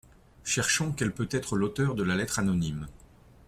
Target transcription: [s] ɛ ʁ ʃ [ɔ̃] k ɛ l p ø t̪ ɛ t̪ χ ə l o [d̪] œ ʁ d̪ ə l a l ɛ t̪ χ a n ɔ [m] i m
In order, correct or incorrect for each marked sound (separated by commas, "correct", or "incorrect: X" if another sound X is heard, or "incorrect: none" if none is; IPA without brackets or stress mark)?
incorrect: ʃ, correct, incorrect: t̪, incorrect: n